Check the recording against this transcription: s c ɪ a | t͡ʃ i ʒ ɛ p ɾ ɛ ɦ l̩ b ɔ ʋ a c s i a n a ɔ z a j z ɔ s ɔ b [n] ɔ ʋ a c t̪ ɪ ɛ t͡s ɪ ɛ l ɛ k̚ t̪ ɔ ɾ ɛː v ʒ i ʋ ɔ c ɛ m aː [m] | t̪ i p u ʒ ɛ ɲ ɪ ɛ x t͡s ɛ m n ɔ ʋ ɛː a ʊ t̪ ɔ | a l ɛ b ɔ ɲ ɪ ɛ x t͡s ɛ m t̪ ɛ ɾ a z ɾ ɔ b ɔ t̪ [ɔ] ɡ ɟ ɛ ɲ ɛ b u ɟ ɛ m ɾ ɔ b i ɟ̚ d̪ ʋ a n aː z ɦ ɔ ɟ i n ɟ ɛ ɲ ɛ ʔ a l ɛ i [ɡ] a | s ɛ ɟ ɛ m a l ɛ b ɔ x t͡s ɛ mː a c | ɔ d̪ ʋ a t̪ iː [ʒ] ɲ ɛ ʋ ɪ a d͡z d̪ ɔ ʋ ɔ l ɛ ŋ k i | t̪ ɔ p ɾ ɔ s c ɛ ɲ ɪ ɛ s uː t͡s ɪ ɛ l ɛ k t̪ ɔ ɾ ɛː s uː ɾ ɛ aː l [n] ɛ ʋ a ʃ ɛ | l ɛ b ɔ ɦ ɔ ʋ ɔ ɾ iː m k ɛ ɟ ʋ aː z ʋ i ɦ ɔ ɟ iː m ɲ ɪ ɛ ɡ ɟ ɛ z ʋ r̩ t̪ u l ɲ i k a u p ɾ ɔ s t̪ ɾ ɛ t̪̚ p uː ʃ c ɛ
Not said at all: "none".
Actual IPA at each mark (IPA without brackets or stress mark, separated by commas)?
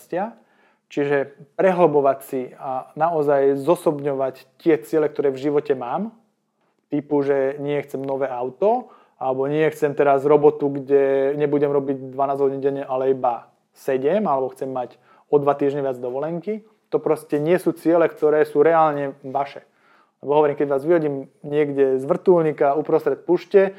ɲ, m, u, b, ʒ, ɲ